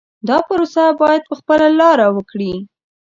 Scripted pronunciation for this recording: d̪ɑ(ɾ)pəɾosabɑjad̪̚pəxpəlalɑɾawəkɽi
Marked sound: incorrect: none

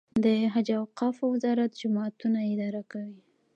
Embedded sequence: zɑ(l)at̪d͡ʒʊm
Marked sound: incorrect: ɾ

